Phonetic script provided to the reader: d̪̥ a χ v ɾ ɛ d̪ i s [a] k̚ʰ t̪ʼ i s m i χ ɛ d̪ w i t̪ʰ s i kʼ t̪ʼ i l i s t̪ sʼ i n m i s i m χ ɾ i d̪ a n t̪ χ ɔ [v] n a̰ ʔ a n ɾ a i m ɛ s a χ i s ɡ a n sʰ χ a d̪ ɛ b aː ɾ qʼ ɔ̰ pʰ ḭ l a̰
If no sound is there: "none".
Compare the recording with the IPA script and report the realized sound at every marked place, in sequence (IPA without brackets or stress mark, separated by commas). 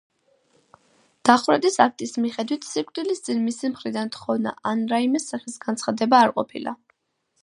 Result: a, v